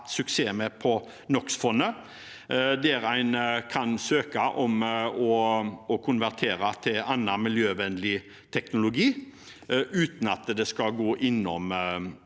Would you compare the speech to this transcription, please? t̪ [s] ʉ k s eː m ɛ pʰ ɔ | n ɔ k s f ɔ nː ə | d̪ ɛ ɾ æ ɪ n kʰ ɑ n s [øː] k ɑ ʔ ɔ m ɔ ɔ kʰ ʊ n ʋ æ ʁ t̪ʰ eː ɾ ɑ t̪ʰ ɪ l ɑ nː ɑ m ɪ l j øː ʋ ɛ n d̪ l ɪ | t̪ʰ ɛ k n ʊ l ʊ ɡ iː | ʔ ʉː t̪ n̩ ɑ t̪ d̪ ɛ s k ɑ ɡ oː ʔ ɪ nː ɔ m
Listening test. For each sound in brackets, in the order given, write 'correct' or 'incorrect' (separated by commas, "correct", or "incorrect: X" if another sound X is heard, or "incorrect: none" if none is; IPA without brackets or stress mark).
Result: correct, correct